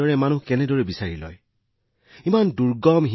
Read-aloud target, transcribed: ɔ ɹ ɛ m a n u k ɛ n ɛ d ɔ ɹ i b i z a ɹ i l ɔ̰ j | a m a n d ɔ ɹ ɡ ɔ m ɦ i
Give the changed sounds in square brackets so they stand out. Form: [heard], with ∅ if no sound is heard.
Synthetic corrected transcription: ɔ ɹ ɛ m a n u k ɛ n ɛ d ɔ ɹ [ɛ] b i [s] a ɹ i l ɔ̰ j | [i] m a n d [u] ɹ ɡ ɔ m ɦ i

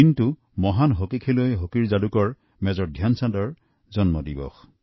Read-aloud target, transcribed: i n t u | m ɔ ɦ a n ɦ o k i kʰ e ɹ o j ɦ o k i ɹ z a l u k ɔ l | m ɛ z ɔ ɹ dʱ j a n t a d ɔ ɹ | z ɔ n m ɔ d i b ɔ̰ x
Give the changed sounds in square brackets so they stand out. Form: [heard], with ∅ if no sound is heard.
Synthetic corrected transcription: i n t u | m ɔ ɦ a n ɦ o k i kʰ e [l] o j ɦ o k i ɹ z a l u k ɔ [ɹ] | m ɛ z ɔ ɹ dʱ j a n [s] a d ɔ ɹ | z ɔ n m ɔ d i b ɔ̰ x

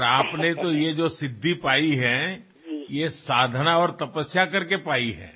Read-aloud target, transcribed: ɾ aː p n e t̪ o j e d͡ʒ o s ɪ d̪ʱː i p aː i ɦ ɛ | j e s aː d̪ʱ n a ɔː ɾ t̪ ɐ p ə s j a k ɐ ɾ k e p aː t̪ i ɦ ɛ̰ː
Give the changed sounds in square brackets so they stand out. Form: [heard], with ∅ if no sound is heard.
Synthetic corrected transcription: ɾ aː p n e t̪ o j e d͡ʒ o s ɪ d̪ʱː i p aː i ɦ ɛ | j e s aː d̪ʱ n a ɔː ɾ t̪ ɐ p ə s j a k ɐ ɾ k e p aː [∅] i ɦ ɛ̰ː

